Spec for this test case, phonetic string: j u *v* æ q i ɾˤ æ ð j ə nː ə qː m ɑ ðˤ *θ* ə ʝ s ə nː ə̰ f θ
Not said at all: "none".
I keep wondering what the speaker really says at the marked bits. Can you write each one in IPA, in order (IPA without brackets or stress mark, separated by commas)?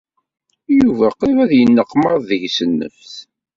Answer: v, ð